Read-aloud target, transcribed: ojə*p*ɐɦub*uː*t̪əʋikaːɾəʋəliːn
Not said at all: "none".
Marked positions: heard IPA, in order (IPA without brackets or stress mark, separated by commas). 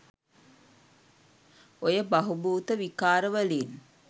b, uː